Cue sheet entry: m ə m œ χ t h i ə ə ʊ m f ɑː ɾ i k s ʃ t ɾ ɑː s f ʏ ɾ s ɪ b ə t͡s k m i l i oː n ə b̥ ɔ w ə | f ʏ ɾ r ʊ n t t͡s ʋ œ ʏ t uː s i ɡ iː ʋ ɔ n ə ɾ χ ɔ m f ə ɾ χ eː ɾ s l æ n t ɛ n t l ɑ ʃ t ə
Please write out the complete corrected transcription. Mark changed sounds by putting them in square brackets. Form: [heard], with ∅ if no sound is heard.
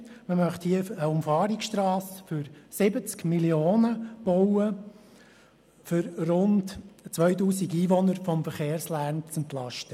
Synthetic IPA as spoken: m ə m œ χ t h i ə ə ʊ m f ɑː ɾ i k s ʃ t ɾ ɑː s f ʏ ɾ s ɪ b ə t͡s k m i l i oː n ə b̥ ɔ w ə | f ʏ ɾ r ʊ n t t͡s ʋ œ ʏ t uː s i ɡ iː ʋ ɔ n ə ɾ [f] ɔ m f ə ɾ χ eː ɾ s l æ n [t͡s] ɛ n t l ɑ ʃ t ə